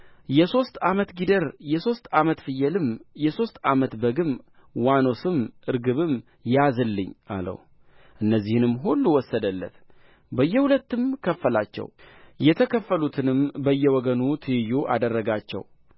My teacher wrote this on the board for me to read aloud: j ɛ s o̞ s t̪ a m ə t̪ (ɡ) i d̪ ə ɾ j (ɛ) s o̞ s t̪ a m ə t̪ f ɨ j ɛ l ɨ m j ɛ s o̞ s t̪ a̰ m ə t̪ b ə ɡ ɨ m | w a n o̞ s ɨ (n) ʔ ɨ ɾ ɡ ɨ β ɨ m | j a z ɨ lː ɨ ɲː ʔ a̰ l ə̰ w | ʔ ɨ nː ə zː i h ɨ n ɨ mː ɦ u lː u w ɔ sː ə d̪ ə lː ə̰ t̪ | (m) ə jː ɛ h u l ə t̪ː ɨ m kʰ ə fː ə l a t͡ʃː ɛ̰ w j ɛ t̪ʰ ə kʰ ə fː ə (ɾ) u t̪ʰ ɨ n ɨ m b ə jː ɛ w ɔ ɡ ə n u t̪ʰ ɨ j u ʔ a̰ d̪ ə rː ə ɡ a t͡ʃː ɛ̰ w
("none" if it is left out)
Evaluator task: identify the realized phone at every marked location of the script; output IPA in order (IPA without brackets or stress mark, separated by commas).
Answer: ɡ, ɛ, m, b, l